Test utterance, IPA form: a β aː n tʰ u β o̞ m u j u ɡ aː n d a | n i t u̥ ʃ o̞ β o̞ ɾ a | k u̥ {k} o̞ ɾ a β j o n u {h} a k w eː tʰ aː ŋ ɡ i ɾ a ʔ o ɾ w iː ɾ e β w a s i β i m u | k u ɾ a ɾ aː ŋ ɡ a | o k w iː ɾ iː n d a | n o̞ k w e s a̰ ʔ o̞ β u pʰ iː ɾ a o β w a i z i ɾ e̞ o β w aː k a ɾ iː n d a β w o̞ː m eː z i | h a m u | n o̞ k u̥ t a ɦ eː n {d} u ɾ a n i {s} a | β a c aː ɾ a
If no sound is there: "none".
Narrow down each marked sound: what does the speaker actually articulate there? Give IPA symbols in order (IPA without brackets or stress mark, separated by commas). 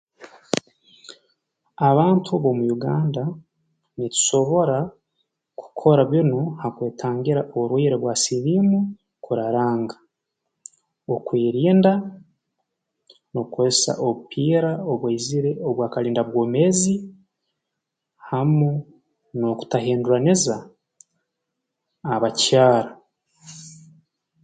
kʰ, h, d, z